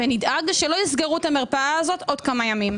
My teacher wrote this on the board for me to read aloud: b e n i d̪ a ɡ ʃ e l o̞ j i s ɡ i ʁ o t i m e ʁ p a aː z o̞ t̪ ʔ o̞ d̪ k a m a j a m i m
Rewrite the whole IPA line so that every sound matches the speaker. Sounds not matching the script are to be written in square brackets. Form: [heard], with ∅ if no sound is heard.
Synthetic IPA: [v] e n i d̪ a ɡ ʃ e l o̞ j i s ɡ [e] ʁ [u] t [a] m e ʁ p a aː z o̞ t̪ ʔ o̞ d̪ k a m a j a m i m